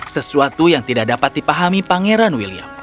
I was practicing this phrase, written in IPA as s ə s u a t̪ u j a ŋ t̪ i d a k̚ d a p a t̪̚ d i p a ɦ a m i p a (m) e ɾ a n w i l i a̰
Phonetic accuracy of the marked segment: incorrect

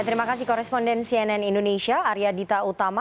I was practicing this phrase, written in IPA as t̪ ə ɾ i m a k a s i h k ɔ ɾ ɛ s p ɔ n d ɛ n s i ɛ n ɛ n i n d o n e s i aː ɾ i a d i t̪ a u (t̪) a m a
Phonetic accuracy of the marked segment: correct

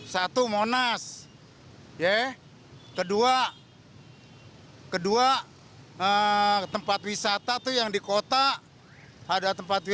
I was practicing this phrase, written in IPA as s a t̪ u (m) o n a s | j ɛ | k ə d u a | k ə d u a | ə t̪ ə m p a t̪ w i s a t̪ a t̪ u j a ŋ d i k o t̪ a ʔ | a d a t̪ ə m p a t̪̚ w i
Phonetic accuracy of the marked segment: correct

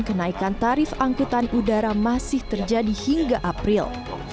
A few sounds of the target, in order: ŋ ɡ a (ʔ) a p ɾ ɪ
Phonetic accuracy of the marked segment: correct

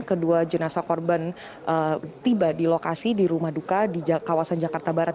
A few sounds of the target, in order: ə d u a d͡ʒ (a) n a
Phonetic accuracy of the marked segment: incorrect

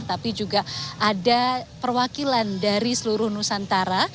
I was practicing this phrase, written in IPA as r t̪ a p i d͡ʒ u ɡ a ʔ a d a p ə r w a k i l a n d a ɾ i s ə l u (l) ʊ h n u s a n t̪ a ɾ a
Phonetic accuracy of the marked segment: incorrect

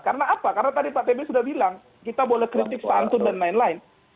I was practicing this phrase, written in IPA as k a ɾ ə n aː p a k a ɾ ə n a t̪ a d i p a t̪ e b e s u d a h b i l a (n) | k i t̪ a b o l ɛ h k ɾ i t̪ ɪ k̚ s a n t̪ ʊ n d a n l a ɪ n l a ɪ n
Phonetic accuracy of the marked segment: incorrect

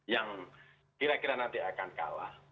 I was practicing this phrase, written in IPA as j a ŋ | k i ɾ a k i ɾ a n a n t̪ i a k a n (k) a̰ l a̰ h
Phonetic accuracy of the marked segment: correct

